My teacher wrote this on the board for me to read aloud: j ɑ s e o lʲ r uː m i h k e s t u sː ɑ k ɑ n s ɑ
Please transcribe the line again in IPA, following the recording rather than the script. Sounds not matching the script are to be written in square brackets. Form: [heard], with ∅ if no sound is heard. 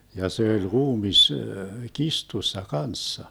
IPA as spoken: j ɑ s e o lʲ r uː m i [s] k [i] s t u sː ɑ k ɑ n [sː] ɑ